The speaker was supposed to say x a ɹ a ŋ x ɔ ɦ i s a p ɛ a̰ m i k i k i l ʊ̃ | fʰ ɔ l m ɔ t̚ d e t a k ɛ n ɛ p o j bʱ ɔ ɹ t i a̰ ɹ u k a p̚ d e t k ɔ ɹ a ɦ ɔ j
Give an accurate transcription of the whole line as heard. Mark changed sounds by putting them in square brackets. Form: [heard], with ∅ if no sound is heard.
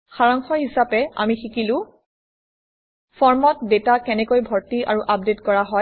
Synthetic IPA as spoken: x a ɹ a ŋ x ɔ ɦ i s a p ɛ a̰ m i [x] i k i l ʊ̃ | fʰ ɔ [ɹ] m ɔ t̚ d e t a k ɛ n ɛ [k] o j bʱ ɔ ɹ t i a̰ ɹ u [ʔ] a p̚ d e t k ɔ ɹ a ɦ ɔ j